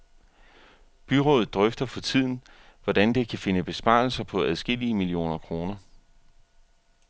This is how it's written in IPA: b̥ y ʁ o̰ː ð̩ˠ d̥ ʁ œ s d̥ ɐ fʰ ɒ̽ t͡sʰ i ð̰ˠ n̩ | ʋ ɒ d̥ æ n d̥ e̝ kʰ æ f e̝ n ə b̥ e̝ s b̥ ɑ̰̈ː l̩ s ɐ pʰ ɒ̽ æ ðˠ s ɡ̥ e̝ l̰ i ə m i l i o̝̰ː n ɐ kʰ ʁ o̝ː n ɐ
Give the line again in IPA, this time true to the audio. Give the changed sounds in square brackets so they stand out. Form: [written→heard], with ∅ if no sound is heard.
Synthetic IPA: b̥ y ʁ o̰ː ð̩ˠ d̥ ʁ œ [s→f] d̥ ɐ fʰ ɒ̽ t͡sʰ i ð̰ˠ n̩ | ʋ ɒ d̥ æ n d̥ e̝ kʰ æ f e̝ n ə b̥ e̝ s b̥ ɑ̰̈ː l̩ s ɐ pʰ ɒ̽ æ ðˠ s ɡ̥ e̝ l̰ i ə m i l i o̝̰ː n ɐ kʰ ʁ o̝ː n ɐ